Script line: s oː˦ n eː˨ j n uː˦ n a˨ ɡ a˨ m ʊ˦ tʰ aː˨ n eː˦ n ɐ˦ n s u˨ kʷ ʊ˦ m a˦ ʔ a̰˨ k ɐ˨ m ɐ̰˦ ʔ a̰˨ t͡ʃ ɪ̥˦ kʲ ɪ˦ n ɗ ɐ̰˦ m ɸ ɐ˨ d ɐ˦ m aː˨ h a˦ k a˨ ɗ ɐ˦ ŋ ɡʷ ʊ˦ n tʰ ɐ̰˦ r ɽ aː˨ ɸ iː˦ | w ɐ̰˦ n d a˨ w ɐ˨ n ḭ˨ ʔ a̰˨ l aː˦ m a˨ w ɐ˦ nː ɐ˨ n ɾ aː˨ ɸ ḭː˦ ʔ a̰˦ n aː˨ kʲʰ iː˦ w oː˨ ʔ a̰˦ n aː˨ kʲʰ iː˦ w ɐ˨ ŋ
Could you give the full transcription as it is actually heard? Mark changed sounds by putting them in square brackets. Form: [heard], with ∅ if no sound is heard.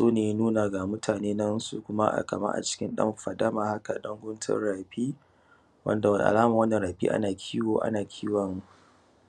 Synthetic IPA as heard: s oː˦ n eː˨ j n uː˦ n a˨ ɡ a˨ m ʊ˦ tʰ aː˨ n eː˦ n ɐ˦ n s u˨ kʷ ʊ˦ m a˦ ʔ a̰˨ k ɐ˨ m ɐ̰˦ ʔ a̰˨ t͡ʃ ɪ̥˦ kʲ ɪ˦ n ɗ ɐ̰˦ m ɸ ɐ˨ d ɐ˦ m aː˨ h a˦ k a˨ ɗ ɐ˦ ŋ ɡʷ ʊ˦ n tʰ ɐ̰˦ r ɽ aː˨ ɸ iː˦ | w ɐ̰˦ n d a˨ w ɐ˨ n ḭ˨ ʔ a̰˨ l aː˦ m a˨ w ɐ˦ nː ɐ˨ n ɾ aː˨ ɸ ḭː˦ ʔ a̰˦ n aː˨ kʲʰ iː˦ w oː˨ ʔ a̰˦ n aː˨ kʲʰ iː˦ w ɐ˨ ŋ